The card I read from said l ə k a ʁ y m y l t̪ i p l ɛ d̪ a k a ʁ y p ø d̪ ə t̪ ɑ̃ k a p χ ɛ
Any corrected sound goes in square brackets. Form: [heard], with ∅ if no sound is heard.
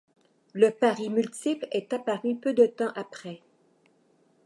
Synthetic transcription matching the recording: l ə [p] a ʁ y m y l t̪ i p l ɛ [t̪] a [p] a ʁ y p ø d̪ ə t̪ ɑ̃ [ʔ] a p χ ɛ